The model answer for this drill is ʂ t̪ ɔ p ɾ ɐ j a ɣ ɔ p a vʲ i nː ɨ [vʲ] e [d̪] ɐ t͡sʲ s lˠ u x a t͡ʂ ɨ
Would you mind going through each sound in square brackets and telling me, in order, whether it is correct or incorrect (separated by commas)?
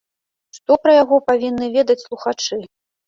correct, correct